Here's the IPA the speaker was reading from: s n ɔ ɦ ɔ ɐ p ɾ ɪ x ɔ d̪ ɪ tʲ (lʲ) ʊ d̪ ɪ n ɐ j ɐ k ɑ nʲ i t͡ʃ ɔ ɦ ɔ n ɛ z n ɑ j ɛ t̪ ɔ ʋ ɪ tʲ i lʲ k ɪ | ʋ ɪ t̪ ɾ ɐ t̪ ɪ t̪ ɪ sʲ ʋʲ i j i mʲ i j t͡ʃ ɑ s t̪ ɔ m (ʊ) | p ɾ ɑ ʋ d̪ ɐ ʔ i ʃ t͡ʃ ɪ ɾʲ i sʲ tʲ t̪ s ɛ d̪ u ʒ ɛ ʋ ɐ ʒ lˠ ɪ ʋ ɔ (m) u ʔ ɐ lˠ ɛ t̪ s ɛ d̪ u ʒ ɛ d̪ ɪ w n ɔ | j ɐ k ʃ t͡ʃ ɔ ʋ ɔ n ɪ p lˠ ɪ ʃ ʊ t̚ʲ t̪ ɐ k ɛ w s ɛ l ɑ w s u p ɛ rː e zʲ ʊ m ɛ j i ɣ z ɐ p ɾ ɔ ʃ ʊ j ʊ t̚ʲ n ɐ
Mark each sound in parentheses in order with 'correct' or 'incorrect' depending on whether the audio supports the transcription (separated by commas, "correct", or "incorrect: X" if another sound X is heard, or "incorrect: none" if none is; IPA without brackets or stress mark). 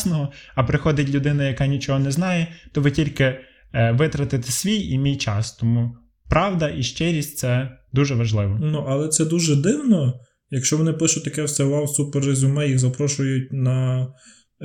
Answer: correct, incorrect: u, incorrect: n